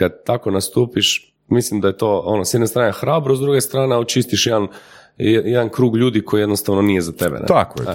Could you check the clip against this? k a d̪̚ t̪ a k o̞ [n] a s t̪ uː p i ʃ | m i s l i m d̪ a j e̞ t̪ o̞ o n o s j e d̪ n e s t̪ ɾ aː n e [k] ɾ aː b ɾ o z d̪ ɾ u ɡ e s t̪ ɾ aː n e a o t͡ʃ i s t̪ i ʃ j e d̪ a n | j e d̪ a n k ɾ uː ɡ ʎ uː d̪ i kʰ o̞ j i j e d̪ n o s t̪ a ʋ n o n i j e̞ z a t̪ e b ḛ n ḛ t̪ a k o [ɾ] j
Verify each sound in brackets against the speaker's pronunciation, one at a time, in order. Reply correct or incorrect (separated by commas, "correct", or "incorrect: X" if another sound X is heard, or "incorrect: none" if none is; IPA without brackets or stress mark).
correct, incorrect: x, incorrect: none